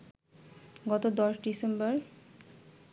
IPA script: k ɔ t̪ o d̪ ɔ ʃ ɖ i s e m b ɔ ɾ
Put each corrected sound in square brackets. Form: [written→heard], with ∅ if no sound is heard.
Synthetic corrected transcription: [k→ɡ] ɔ t̪ o d̪ ɔ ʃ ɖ i s e m b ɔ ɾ